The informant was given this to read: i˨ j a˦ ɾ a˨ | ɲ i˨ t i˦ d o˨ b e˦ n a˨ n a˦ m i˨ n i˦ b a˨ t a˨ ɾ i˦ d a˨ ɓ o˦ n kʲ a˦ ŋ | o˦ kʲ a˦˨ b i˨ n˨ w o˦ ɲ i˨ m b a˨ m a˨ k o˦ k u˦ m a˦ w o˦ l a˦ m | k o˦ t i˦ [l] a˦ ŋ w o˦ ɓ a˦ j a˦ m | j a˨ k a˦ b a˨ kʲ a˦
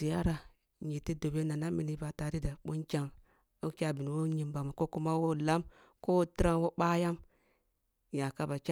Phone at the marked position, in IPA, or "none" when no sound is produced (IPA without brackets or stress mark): ɾ